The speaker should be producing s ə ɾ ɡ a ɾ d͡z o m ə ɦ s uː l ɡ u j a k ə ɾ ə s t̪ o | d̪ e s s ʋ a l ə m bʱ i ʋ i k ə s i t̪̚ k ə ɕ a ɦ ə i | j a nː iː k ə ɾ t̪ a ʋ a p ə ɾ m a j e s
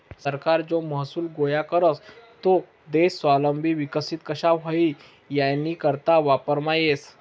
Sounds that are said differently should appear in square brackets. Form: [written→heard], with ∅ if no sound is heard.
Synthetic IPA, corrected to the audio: s ə ɾ [ɡ→k] a ɾ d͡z o m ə ɦ s uː l ɡ [u→o] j a k ə ɾ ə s t̪ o | d̪ e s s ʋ a l ə m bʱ i ʋ i k ə s i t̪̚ k ə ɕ a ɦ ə i | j a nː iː k ə ɾ t̪ a ʋ a p ə ɾ m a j e s

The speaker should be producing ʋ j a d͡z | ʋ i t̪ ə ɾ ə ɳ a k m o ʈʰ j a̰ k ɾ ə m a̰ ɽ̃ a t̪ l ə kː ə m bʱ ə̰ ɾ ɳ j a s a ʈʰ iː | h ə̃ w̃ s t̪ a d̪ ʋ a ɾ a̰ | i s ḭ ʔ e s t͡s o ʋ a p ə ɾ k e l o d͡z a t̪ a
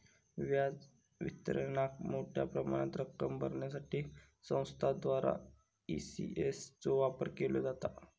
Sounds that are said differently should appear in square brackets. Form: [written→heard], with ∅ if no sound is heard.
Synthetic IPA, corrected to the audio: ʋ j a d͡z | ʋ i t̪ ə ɾ ə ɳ a k m o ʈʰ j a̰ [k→p] ɾ ə m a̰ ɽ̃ a t̪ [l→ɾ] ə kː ə m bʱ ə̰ ɾ ɳ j a s a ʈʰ iː | [h→s] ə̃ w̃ s [t̪→t̪ʰ] a d̪ ʋ a ɾ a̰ | i s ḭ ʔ e s t͡s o ʋ a p ə ɾ k e l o d͡z a t̪ a

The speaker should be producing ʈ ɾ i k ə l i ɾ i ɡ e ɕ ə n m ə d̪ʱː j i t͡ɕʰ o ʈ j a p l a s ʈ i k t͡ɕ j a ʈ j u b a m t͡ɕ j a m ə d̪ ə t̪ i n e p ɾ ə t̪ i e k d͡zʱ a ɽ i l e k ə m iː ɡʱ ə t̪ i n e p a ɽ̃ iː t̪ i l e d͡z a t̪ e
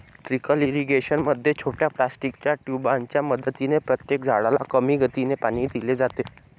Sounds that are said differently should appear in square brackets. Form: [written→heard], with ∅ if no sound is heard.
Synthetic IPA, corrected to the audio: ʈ ɾ i k ə l i ɾ i ɡ e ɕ ə n m ə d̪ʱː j [i→e] t͡ɕʰ o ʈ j a p l a s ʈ i k t͡ɕ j a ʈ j u b a [m→ɲ] t͡ɕ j a m ə d̪ ə t̪ i n e p ɾ ə t̪ [i→j] e k d͡zʱ a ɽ [i→a] l [e→a] k ə m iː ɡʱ ə t̪ i n e p a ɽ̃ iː [t̪→d̪] i l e d͡z a t̪ e

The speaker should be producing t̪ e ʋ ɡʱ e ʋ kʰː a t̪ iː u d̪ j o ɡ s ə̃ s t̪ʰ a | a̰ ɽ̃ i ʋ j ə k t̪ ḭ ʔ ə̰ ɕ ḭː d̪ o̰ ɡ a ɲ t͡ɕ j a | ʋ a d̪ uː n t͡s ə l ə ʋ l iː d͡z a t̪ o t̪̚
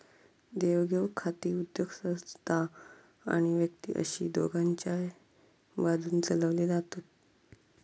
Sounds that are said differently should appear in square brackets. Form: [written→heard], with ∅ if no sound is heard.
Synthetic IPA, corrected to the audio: [t̪→d̪] e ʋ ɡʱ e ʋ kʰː a t̪ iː u d̪ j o ɡ s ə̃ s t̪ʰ a | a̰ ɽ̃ i ʋ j ə k t̪ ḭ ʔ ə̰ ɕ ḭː d̪ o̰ ɡ a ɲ t͡ɕ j a | ʋ a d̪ uː n t͡s ə l ə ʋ l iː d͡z a t̪ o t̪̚

